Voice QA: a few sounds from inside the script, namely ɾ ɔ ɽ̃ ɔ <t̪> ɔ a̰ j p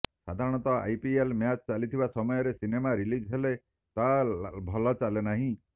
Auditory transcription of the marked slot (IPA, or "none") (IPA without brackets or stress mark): t̪